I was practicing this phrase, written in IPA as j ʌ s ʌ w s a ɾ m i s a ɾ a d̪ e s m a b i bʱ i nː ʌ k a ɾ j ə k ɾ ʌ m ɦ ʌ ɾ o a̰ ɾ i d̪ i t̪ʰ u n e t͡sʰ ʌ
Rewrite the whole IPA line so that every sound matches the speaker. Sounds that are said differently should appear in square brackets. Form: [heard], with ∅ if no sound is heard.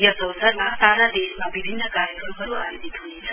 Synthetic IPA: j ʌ s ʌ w s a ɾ m [a] s a ɾ a d̪ e s m a b i bʱ i nː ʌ k a ɾ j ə k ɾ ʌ m ɦ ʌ ɾ [u] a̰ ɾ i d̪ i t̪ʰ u n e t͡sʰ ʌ